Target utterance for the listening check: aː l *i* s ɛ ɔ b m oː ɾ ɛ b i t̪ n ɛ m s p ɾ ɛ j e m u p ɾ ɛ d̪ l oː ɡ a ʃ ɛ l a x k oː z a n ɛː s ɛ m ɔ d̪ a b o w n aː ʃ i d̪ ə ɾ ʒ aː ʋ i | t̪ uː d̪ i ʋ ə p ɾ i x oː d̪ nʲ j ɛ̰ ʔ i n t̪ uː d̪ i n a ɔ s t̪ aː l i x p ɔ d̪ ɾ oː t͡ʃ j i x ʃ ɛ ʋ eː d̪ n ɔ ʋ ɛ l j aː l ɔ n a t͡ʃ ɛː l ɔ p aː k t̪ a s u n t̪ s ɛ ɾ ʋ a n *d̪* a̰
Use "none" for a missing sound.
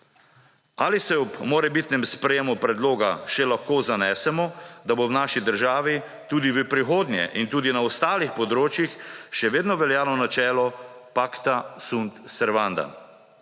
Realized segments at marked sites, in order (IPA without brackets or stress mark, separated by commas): i, d̪